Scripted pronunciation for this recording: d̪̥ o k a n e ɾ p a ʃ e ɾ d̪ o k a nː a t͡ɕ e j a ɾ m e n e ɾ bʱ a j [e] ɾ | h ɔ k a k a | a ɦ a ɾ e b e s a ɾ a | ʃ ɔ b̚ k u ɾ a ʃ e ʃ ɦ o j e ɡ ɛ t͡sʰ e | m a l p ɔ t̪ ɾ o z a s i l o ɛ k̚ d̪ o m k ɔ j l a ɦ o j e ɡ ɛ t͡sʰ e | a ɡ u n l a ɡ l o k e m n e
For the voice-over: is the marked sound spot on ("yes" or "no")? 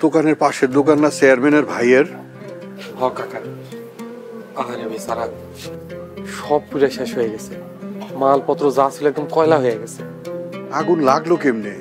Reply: yes